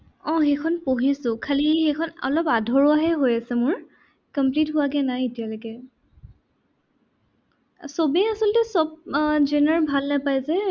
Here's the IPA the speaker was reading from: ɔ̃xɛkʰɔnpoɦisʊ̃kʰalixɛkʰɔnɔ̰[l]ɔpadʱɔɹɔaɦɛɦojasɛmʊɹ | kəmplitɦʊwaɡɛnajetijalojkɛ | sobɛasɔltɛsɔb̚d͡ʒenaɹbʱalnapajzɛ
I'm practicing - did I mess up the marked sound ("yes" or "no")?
no